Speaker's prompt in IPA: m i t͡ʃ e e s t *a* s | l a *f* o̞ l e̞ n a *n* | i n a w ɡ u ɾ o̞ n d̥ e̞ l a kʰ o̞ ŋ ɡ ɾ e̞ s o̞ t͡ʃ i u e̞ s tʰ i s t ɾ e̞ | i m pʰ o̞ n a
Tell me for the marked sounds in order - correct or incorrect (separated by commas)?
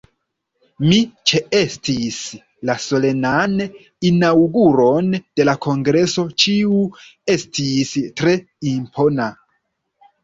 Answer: incorrect, incorrect, correct